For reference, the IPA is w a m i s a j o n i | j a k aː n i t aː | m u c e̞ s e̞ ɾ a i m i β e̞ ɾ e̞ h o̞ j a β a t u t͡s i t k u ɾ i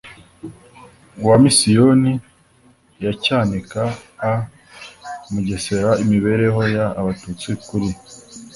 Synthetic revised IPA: w a m i s i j o n i | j a c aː n i k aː | m u ɟ e̞ s e̞ ɾ a i m i β e̞ ɾ e̞ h o̞ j a β a t u t͡s i k u ɾ i